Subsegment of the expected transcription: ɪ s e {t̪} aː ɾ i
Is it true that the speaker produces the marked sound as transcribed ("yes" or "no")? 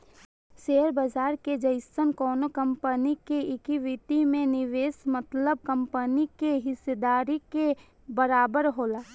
no